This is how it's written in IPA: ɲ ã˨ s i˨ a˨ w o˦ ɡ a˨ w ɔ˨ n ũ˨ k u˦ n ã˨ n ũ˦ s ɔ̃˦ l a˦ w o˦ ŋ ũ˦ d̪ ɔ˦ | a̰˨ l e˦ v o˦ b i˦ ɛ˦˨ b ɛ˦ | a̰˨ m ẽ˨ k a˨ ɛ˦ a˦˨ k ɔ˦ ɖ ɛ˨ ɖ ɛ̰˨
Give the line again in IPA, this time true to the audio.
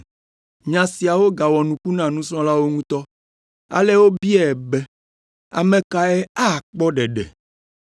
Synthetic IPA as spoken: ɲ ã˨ s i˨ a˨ w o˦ ɡ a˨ w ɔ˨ n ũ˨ k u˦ n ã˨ n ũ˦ s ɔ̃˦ l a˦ w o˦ ŋ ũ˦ t̪ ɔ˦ | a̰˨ l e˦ w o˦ b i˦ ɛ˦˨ b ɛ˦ | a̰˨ m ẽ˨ k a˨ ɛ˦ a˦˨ k͡p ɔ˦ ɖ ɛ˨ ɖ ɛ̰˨

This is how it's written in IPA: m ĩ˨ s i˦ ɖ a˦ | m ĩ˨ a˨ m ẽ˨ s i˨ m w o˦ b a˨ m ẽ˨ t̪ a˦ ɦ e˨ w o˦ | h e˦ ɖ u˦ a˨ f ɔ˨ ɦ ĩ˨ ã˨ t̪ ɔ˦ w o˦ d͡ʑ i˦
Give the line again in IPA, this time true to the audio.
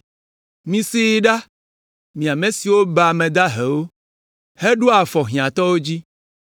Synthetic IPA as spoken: m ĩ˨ s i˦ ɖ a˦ | m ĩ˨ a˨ m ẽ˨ s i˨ w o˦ b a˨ m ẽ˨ d̪ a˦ ɦ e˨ w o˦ | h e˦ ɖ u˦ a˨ f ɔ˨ ɦ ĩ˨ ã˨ t̪ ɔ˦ w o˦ d͡ʑ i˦

